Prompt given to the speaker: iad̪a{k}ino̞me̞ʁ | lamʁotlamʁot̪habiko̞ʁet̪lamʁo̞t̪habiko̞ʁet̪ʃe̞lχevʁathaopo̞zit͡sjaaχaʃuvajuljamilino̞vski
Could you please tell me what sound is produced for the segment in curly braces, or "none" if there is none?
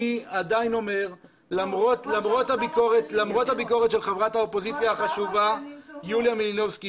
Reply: none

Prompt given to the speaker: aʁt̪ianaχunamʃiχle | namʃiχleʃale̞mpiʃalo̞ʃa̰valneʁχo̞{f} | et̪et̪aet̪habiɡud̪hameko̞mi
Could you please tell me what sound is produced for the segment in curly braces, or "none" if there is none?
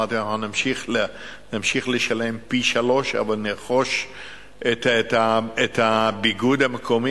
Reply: ʃ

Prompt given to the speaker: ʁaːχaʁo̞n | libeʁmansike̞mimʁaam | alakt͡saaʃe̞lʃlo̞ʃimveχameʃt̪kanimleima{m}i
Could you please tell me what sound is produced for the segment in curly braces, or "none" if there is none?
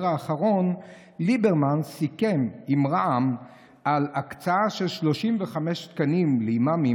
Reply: m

